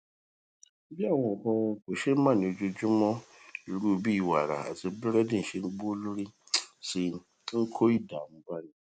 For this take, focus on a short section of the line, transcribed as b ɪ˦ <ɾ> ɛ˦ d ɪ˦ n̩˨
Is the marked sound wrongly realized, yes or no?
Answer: no